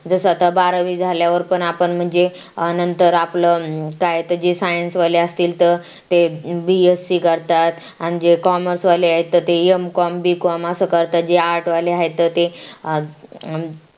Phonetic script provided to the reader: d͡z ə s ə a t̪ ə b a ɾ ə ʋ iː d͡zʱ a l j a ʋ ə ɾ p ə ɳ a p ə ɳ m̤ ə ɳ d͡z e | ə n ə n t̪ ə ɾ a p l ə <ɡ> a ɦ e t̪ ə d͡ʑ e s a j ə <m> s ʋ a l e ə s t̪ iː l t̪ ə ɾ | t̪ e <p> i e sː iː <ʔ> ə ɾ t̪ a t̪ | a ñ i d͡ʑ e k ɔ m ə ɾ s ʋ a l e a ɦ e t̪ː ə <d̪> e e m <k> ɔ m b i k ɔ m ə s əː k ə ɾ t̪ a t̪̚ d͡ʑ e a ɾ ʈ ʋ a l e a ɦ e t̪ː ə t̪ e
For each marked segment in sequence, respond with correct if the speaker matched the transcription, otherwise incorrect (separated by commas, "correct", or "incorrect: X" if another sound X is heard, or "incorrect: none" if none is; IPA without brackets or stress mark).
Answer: incorrect: k, incorrect: n, incorrect: b, incorrect: k, incorrect: t̪, correct